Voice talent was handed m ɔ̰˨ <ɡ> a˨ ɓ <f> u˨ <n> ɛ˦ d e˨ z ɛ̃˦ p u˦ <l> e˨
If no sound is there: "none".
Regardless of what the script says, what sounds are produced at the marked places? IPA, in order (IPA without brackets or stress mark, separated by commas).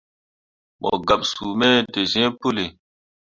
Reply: ɡ, s, m, l